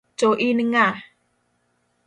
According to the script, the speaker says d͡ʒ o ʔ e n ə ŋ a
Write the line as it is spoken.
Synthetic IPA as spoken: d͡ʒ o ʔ i n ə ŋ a